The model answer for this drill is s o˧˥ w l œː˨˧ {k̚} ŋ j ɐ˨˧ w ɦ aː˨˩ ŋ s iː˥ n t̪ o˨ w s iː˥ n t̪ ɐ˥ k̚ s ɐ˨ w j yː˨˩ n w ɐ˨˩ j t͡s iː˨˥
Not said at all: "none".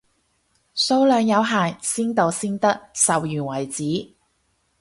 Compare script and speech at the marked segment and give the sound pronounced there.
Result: none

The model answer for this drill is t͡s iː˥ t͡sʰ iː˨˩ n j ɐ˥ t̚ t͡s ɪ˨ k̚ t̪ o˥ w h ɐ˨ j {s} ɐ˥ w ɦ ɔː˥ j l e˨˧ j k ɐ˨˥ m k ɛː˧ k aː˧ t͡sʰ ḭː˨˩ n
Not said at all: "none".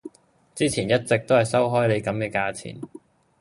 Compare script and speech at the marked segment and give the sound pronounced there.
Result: s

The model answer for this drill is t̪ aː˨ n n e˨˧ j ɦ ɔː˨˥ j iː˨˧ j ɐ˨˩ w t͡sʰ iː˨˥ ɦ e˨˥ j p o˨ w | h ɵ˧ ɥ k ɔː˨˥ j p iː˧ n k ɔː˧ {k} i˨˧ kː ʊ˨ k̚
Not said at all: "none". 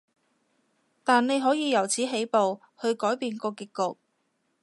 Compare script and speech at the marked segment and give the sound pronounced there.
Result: k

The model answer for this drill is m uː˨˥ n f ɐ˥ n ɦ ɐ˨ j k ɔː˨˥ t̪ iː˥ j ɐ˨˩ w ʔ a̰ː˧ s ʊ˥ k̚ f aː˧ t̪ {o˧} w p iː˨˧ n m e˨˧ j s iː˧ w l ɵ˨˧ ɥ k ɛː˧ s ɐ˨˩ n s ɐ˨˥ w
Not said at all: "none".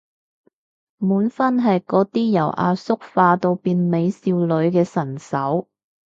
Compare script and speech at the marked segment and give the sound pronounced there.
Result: o˧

